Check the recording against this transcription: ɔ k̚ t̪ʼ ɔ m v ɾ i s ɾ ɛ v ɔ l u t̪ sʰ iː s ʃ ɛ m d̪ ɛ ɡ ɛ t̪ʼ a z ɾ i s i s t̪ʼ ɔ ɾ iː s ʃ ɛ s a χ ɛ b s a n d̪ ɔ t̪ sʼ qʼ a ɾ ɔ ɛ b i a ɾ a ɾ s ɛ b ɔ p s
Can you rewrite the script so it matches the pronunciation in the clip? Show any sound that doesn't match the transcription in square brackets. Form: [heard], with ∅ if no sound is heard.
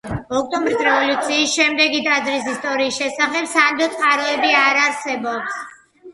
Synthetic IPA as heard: ɔ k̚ t̪ʼ ɔ m [b] ɾ i s ɾ ɛ v ɔ l u t̪ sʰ iː s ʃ ɛ m d̪ ɛ ɡ [i] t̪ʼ a z ɾ i s i s t̪ʼ ɔ ɾ iː s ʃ ɛ s a χ ɛ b s a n d̪ ɔ t̪ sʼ qʼ a ɾ ɔ ɛ b i a ɾ a ɾ s ɛ b ɔ p s

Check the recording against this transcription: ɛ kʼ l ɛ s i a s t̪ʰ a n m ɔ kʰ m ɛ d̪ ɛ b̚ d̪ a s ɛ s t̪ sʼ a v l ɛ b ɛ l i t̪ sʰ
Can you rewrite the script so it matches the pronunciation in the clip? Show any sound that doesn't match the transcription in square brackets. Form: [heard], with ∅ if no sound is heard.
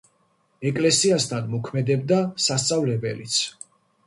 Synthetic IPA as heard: ɛ kʼ l ɛ s i a s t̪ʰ a n m ɔ kʰ m ɛ d̪ ɛ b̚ d̪ a s [a] s t̪ sʼ a v l ɛ b ɛ l i t̪ sʰ

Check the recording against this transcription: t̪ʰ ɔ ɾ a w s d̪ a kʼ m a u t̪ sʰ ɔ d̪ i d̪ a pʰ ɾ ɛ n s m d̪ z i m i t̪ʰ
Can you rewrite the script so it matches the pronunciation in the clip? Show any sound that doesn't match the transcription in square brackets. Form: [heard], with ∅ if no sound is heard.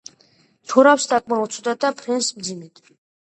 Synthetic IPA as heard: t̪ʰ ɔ ɾ a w s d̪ a kʼ m a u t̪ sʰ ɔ d̪ [a] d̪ a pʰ ɾ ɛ n s m d̪ z i m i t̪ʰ

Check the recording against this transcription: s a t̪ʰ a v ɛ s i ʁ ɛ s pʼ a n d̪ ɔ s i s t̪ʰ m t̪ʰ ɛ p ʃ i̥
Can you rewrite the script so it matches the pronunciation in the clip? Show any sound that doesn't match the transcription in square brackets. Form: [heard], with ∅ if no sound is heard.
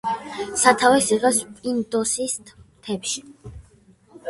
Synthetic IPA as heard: s a t̪ʰ a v ɛ s i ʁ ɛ s pʼ [i] n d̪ ɔ s i s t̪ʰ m t̪ʰ ɛ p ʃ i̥

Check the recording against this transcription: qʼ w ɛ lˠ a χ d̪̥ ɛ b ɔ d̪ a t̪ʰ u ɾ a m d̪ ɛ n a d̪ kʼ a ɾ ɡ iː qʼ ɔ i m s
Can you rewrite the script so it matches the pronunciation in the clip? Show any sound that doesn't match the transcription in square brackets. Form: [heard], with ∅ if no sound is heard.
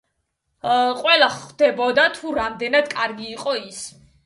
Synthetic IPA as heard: qʼ w ɛ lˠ a χ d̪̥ ɛ b ɔ d̪ a t̪ʰ u ɾ a m d̪ ɛ n a d̪ kʼ a ɾ ɡ iː qʼ ɔ i [∅] s

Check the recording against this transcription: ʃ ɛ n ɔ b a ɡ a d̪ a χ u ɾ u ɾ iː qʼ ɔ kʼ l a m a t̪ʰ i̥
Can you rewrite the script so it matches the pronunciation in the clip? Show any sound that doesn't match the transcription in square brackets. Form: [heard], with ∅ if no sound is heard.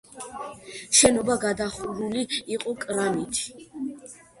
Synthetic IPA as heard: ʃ ɛ n ɔ b a ɡ a d̪ a χ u ɾ u [l] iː qʼ ɔ kʼ [ɾ] a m [i] t̪ʰ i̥

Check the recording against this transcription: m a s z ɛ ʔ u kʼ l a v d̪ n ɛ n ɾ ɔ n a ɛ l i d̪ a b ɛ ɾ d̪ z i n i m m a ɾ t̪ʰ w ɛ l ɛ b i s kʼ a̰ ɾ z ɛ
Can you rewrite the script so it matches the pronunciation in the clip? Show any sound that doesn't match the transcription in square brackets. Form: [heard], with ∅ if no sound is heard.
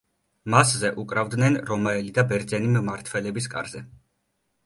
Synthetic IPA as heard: m a s z ɛ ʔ u kʼ [ɾ] a v d̪ n ɛ n ɾ ɔ [m] a ɛ l i d̪ a b ɛ ɾ d̪ z [ɛ] n i m m a ɾ t̪ʰ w ɛ l ɛ b i s kʼ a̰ ɾ z ɛ

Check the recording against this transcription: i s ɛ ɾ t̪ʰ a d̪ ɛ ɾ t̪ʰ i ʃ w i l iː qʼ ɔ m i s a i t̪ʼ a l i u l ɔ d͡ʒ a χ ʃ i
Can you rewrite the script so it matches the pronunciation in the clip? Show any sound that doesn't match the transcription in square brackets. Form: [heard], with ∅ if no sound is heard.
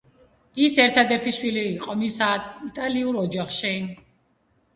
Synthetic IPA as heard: i s ɛ ɾ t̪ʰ a d̪ ɛ ɾ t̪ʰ i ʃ w i l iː qʼ ɔ m i s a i t̪ʼ a l i u [ɾ] ɔ d͡ʒ a χ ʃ i

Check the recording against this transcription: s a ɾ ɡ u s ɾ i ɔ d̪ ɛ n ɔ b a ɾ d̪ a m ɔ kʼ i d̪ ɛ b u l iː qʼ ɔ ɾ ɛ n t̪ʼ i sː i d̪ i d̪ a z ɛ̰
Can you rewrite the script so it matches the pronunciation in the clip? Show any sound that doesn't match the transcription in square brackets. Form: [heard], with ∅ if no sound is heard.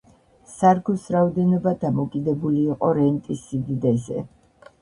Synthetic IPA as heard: s a ɾ ɡ u s ɾ [a] ɔ d̪ ɛ n ɔ b a [∅] d̪ a m ɔ kʼ i d̪ ɛ b u l iː qʼ ɔ ɾ ɛ n t̪ʼ i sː i d̪ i d̪ [ɛ] z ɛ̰

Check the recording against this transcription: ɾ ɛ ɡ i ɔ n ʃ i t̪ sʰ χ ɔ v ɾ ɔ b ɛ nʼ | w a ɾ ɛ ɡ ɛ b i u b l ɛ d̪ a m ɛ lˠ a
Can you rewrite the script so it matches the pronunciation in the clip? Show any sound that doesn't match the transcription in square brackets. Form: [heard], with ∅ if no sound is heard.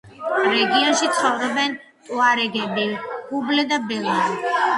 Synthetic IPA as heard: ɾ ɛ ɡ i ɔ n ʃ i t̪ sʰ χ ɔ v ɾ ɔ b ɛ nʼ | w a ɾ ɛ ɡ ɛ b i u b l ɛ d̪ a [b] ɛ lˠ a

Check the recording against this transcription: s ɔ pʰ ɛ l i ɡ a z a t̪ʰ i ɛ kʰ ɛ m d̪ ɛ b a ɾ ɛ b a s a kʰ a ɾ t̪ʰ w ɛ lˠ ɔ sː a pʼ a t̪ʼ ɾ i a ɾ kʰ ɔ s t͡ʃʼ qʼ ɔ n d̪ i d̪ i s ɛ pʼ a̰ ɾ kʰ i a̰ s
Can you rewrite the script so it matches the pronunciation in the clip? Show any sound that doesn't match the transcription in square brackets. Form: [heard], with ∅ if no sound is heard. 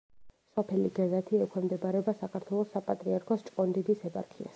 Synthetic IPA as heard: s ɔ pʰ ɛ l i ɡ a z a t̪ʰ i ɛ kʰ ɛ m d̪ ɛ b a ɾ ɛ b a s a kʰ a ɾ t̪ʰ w ɛ lˠ ɔ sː a pʼ a t̪ʼ ɾ i a ɾ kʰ ɔ s t͡ʃʼ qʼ ɔ n d̪ i d̪ i s ɛ pʼ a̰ ɾ kʰ i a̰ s

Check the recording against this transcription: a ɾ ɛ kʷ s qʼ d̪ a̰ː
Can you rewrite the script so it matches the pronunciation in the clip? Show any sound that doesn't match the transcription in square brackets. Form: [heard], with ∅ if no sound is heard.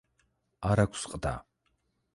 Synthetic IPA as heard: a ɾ [a] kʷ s qʼ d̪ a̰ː

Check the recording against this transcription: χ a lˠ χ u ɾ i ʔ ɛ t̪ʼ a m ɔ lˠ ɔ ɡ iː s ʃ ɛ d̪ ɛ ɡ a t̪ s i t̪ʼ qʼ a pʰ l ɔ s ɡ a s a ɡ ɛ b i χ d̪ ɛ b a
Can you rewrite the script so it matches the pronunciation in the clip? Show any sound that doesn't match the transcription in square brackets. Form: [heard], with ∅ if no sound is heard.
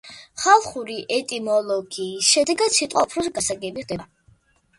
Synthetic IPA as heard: χ a lˠ χ u ɾ i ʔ ɛ t̪ʼ [i] m ɔ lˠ ɔ ɡ iː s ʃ ɛ d̪ ɛ ɡ a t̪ s i t̪ʼ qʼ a pʰ [ɾ] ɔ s ɡ a s a ɡ ɛ b i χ d̪ ɛ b a

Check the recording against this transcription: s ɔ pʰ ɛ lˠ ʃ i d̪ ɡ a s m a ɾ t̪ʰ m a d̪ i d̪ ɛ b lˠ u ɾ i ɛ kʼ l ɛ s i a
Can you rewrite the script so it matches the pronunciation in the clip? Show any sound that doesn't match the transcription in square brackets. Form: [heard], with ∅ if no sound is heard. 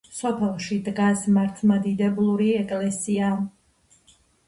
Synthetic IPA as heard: s ɔ pʰ ɛ lˠ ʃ i d̪ ɡ a s m a ɾ t̪ʰ m a d̪ i d̪ ɛ b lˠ u ɾ i ɛ kʼ l ɛ s i a

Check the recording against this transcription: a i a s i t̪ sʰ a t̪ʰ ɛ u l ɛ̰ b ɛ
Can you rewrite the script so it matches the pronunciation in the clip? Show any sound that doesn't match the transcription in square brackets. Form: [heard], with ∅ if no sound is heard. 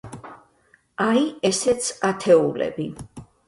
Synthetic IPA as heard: a i [ɛ] s [ɛ] t̪ sʰ a t̪ʰ ɛ u l ɛ̰ b [i]

